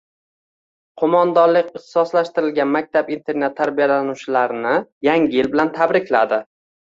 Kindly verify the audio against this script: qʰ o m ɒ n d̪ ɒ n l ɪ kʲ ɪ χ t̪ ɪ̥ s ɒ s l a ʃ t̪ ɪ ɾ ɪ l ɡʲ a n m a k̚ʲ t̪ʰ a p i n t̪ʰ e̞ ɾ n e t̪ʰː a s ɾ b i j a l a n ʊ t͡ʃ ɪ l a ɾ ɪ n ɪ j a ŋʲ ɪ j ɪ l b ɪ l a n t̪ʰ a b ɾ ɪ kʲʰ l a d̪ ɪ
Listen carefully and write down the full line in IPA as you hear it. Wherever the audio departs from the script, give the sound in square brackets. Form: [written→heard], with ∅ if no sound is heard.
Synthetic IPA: qʰ o m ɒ n d̪ ɒ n l ɪ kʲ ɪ χ t̪ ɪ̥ s ɒ s l a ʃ t̪ ɪ ɾ ɪ l ɡʲ a n m a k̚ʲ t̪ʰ a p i n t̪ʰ e̞ ɾ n e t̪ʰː a [s→∅] ɾ b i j a l a n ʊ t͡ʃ ɪ l a ɾ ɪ n ɪ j a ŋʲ ɪ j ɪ l b ɪ l a n t̪ʰ a b ɾ ɪ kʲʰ l a d̪ ɪ